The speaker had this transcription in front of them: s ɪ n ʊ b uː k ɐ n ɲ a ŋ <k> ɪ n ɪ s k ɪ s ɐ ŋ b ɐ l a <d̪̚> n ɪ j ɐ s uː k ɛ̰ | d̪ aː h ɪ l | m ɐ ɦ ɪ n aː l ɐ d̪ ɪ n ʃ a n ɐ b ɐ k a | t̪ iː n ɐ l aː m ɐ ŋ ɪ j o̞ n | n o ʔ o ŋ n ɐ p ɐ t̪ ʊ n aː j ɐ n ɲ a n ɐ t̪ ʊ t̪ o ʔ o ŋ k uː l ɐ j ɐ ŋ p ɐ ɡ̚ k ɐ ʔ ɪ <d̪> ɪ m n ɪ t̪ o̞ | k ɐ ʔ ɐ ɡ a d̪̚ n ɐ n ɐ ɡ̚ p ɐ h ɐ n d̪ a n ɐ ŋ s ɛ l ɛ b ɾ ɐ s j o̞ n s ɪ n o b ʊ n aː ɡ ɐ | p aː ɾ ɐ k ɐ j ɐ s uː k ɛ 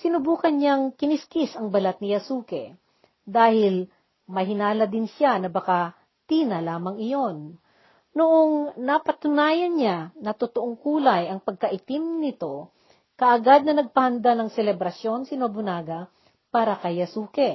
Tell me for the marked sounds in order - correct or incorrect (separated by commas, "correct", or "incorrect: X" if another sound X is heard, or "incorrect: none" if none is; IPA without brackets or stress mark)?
correct, incorrect: t̪̚, incorrect: t̪